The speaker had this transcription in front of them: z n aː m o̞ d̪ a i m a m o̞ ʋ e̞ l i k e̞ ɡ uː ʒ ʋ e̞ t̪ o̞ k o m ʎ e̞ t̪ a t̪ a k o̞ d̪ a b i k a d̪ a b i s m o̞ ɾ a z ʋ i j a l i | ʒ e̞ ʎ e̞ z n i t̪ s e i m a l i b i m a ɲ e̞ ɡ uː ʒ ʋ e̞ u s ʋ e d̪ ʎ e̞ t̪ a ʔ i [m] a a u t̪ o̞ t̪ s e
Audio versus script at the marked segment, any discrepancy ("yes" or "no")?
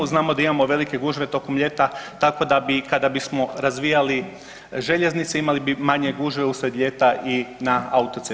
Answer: yes